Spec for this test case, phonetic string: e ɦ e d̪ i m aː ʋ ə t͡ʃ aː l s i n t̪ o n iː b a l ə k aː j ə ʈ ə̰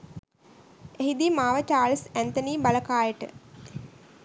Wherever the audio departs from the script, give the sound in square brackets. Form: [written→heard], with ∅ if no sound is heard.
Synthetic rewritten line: e ɦ [e→i] d̪ i m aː ʋ ə t͡ʃ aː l s [i→æ] n t̪ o n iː b a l ə k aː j ə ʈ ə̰